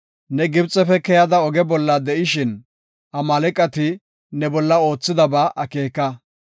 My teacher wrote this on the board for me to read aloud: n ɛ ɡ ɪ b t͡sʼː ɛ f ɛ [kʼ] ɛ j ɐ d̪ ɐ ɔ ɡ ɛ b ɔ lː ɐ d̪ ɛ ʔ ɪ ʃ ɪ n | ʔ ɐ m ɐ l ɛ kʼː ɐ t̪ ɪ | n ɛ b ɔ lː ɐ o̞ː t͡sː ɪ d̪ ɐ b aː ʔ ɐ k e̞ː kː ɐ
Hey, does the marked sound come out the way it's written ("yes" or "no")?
no